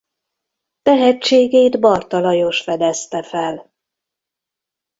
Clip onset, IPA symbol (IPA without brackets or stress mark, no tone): t̪